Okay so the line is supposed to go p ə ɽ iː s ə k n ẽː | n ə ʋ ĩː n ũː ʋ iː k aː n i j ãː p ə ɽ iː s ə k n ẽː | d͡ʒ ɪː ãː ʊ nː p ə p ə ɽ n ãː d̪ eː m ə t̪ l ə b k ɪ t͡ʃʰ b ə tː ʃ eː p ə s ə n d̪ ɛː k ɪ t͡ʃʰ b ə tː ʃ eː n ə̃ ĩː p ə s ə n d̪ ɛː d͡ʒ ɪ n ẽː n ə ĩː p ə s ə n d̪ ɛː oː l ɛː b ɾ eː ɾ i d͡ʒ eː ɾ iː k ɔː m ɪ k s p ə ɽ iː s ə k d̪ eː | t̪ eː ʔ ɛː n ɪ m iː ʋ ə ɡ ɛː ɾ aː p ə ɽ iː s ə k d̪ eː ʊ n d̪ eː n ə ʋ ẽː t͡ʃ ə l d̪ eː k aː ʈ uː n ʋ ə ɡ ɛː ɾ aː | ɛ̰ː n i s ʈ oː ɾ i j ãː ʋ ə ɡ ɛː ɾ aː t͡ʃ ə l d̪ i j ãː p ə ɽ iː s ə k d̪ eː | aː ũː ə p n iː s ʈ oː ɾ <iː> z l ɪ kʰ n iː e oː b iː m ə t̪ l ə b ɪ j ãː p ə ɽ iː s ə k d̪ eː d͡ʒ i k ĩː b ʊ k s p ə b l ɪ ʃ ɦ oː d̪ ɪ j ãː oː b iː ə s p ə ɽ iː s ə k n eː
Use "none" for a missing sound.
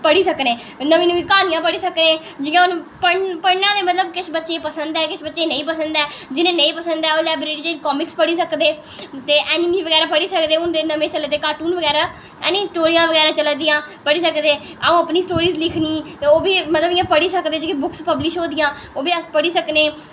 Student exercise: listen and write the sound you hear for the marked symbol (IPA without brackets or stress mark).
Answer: iː